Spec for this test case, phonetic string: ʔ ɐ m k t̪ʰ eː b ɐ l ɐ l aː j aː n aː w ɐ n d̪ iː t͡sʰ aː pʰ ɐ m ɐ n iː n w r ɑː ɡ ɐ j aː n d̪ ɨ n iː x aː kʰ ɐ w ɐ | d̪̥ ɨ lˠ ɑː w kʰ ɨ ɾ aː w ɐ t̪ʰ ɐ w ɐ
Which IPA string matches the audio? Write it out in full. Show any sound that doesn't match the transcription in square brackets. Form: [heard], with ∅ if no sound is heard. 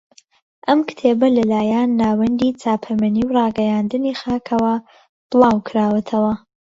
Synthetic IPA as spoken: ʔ ɐ m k t̪ʰ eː b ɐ l ɐ l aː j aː [nː] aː w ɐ n d̪ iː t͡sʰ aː pʰ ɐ m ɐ n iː [∅] w r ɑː ɡ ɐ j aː n d̪ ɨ n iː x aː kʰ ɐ w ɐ | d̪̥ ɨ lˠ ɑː w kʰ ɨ ɾ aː w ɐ t̪ʰ ɐ w ɐ